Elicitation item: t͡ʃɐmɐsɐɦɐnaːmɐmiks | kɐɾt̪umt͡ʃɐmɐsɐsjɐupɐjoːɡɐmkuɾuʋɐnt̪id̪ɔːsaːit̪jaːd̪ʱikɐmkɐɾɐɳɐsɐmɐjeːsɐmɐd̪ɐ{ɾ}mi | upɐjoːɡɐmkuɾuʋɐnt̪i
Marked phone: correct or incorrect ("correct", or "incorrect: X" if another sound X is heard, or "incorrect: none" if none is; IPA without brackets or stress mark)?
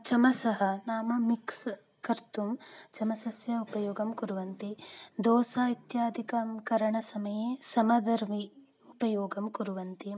correct